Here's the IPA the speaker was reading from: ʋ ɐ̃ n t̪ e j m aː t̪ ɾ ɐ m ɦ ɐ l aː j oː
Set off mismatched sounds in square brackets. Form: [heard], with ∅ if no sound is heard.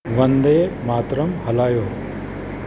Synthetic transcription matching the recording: ʋ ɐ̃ n [d̪] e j m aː t̪ ɾ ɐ m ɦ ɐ l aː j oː

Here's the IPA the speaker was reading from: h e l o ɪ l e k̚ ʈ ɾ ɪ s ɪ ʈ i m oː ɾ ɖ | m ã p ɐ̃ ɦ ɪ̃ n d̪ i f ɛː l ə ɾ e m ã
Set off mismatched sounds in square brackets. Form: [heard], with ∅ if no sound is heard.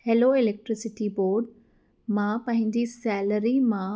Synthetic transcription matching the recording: h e l o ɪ l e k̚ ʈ ɾ ɪ s ɪ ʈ i [b] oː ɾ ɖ | m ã p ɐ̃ ɦ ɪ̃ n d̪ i [s] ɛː l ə ɾ [i] m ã

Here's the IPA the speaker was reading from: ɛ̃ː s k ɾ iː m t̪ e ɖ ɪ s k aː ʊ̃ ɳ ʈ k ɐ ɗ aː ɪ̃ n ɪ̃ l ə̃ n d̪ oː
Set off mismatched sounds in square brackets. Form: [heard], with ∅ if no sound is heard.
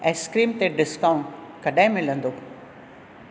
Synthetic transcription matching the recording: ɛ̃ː s k ɾ iː m t̪ e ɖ ɪ s k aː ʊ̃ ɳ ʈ k ɐ ɗ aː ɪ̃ [m] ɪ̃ l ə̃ n d̪ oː

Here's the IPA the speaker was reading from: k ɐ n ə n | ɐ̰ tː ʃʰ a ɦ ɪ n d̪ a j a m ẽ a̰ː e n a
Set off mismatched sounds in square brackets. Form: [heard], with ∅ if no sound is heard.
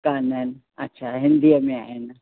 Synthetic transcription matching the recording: k [a] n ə n | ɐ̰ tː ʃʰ a ɦ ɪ n d̪ [i] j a m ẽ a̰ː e n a

